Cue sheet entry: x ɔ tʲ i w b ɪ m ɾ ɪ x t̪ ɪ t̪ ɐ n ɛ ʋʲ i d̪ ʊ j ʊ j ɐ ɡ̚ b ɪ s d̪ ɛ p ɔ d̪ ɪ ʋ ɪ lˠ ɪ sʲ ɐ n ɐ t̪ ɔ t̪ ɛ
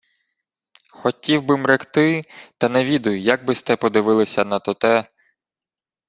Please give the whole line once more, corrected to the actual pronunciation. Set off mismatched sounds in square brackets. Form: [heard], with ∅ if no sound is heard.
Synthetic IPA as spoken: x ɔ tʲ i w b ɪ m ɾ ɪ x t̪ ɪ t̪ ɐ n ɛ ʋʲ i d̪ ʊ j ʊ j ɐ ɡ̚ b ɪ s [t̪] ɛ p ɔ d̪ ɪ ʋ ɪ lˠ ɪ sʲ ɐ n ɐ t̪ ɔ t̪ ɛ